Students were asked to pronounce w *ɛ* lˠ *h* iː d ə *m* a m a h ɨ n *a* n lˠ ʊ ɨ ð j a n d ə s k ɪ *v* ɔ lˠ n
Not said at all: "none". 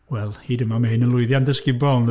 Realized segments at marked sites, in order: ɛ, h, m, ə, b

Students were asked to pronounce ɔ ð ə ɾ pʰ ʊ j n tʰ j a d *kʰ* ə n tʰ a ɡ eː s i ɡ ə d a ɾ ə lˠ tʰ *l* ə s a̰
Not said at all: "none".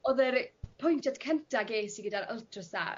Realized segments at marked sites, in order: kʰ, r

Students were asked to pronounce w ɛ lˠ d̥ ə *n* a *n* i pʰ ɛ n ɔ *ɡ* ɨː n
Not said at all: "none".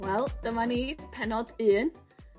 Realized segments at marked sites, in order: m, n, d

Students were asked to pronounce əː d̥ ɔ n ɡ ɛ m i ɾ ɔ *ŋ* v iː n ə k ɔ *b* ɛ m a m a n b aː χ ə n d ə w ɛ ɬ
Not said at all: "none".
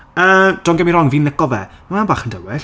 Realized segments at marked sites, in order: ŋ, v

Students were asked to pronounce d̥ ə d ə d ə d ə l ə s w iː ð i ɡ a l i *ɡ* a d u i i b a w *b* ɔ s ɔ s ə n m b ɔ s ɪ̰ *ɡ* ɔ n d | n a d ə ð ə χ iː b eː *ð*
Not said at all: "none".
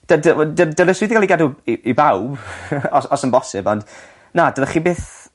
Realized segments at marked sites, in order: ɡ, b, b, θ

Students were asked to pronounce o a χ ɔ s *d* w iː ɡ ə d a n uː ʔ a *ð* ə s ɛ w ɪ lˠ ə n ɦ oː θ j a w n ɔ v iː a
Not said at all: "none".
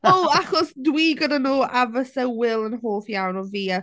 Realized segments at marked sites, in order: d, v

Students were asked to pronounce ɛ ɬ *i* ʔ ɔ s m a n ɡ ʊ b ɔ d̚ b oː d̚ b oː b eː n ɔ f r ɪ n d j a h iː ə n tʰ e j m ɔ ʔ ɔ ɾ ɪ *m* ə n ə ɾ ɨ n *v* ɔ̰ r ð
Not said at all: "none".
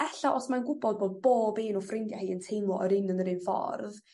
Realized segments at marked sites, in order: a, n, f

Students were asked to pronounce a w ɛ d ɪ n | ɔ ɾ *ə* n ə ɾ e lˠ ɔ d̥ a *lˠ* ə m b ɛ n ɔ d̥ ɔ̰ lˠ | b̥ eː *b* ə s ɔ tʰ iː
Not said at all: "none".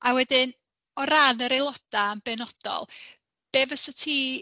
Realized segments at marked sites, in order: a, none, v

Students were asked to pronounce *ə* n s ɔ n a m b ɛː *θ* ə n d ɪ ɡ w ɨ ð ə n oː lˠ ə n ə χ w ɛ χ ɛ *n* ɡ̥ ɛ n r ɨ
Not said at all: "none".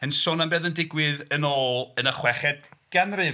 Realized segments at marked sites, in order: ə, ð, d

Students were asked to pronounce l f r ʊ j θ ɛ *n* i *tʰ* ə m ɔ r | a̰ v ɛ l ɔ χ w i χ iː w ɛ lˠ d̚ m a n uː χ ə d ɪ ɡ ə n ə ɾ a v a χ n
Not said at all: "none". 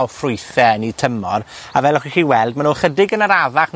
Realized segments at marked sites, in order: n, tʰ

